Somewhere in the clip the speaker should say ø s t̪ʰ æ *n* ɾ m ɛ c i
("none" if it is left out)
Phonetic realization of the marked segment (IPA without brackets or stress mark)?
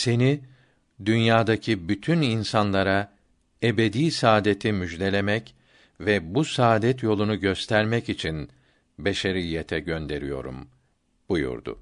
none